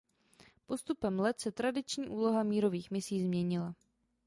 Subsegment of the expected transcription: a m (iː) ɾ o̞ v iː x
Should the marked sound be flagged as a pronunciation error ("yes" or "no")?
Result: no